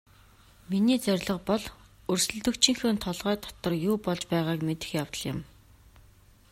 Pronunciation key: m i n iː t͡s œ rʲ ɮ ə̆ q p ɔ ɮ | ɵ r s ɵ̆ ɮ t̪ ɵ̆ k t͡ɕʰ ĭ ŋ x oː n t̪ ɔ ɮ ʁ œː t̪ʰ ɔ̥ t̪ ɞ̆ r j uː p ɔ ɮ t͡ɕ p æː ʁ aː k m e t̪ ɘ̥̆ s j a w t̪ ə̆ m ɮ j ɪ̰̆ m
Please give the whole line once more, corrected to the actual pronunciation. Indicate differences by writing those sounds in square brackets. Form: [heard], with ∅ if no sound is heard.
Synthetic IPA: m i n iː t͡s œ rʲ ɮ ə̆ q p ɔ ɮ | ɵ r s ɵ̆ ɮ t̪ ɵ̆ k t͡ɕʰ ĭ ŋ x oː n [t̪ʰ] ɔ ɮ ʁ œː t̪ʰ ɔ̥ t̪ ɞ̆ r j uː p ɔ ɮ t͡ɕ p æː ʁ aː k m e t̪ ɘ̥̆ [x] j a w t̪ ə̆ [∅] ɮ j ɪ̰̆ m